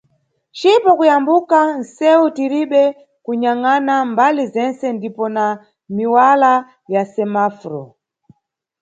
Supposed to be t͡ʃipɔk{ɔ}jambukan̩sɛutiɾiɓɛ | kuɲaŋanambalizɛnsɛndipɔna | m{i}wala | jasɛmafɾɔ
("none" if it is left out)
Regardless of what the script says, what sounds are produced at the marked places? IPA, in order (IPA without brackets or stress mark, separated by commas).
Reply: u, i